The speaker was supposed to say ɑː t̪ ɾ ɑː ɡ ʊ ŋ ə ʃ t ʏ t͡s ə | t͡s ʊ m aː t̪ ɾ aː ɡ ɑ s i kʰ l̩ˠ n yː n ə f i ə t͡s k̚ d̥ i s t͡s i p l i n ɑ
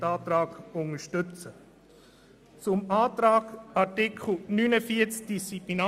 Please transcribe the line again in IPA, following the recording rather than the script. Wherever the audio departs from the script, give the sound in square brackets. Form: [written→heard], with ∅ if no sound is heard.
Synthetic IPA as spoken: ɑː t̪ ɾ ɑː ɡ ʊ ŋ ə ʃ t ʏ t͡s ə | t͡s ʊ m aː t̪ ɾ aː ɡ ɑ [s→t] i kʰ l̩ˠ n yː n ə f i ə t͡s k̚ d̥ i s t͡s i p l i n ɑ